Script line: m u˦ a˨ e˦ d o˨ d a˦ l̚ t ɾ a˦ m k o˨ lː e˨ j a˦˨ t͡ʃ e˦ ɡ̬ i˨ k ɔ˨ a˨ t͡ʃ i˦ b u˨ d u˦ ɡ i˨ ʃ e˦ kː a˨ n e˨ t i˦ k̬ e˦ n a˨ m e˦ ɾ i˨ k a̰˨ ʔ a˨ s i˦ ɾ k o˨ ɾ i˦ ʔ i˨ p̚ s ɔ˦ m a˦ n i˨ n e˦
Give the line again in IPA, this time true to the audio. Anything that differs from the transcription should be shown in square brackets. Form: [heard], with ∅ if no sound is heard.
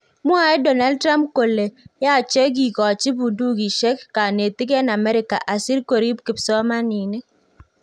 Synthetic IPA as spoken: m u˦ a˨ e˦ d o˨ [n] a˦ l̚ t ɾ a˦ m k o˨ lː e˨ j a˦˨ t͡ʃ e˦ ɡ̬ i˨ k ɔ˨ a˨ t͡ʃ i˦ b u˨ d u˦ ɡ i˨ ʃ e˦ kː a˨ n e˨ t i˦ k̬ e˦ n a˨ m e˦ ɾ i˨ k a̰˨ ʔ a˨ s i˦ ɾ k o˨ ɾ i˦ [k] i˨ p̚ s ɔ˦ m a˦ n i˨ n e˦